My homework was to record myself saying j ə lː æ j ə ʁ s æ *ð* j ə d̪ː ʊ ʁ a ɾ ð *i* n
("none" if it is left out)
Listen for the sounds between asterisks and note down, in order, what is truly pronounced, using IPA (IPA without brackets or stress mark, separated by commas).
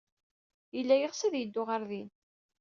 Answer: ð, i